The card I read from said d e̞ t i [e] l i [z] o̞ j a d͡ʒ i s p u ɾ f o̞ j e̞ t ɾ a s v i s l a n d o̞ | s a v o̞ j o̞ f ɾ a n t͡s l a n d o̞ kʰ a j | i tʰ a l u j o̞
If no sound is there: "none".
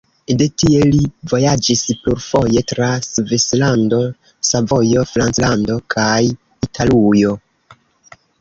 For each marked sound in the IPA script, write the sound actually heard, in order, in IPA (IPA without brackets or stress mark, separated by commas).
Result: e, v